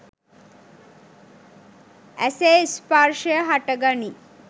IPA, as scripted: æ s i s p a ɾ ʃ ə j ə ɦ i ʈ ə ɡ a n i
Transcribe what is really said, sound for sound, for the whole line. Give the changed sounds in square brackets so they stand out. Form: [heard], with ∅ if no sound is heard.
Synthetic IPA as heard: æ s [e] s p a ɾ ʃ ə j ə ɦ [a] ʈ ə ɡ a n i